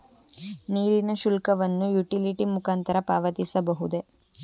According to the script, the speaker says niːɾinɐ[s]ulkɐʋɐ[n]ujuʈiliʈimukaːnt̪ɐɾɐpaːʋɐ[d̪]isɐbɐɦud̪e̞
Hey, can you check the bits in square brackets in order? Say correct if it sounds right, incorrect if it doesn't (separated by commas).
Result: incorrect, incorrect, incorrect